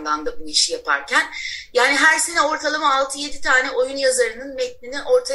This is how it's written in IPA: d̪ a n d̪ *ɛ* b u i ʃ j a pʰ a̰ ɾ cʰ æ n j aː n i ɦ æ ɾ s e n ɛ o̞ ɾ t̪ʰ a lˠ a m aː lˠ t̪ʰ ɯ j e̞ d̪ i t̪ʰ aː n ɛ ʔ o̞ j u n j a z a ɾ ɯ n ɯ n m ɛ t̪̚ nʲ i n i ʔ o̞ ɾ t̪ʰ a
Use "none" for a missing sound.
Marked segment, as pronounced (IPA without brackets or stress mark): a